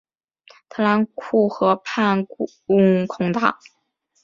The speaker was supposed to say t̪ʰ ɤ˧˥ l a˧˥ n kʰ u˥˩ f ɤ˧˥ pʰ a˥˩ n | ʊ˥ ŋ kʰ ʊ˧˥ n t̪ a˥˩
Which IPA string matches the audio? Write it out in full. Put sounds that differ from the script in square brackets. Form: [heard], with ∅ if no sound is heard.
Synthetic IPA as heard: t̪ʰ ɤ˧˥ l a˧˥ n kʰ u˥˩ [x] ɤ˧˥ pʰ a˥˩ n | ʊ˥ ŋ kʰ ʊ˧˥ [ŋ] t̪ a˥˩